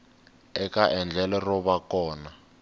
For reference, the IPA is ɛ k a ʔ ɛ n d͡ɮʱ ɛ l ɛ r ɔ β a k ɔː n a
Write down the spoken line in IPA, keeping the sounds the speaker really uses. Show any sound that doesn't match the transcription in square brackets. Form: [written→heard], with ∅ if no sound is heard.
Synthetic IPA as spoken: ɛ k a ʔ ɛ n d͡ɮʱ ɛ l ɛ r ɔ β a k ɔː n a